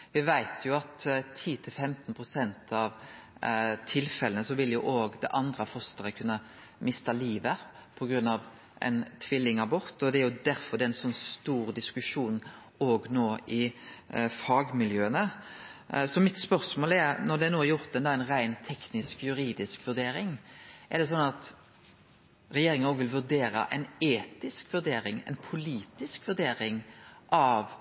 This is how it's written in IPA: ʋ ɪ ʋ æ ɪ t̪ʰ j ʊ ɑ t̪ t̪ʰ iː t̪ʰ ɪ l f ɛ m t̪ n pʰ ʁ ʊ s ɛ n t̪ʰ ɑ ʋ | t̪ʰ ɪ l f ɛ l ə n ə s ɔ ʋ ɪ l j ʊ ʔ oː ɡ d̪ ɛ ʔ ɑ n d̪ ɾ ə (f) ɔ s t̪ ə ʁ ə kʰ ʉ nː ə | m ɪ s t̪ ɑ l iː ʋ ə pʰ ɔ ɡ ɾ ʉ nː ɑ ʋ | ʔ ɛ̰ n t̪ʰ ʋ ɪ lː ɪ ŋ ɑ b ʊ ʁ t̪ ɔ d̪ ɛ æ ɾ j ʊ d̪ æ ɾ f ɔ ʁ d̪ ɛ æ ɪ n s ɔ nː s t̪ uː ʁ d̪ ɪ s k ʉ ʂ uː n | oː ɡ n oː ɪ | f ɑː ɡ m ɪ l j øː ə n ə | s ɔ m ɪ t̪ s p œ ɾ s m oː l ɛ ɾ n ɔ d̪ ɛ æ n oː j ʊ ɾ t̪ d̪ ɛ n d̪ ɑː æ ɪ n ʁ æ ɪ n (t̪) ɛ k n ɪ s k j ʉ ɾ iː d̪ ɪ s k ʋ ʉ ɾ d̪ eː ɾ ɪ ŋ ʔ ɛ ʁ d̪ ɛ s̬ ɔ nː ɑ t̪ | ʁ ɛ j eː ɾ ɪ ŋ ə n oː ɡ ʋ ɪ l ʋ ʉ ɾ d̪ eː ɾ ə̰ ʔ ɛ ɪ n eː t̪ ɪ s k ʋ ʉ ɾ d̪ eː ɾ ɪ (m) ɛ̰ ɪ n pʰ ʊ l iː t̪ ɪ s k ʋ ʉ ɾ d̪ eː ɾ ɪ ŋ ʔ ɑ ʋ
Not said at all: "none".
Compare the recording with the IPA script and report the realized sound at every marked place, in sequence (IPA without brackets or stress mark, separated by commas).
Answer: f, t̪ʰ, ŋ